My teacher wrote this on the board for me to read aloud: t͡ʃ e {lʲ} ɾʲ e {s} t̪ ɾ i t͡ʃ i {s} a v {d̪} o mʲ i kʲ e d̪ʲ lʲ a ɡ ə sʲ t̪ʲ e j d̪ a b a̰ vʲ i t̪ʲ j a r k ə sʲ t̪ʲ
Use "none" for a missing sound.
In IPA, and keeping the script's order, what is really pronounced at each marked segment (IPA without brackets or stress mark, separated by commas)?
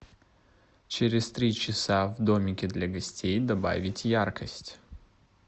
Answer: none, s, s, d̪